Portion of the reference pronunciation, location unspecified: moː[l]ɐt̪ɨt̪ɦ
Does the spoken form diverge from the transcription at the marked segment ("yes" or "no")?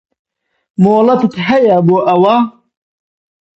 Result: no